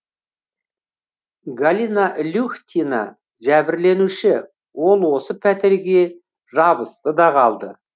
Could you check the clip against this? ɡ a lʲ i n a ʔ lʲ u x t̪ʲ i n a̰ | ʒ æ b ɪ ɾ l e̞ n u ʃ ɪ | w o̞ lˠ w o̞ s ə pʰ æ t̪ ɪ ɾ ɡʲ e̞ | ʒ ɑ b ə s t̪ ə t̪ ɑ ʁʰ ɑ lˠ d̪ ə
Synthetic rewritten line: ɡ a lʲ i n a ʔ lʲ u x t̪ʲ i n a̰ | ʒ æ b ɪ ɾ l e̞ n u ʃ ɪ | w o̞ lˠ w o̞ s ə pʰ æ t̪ ɪ ɾ ɡʲ e̞ | ʒ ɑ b ə s t̪ ə d̪ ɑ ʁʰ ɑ lˠ d̪ ə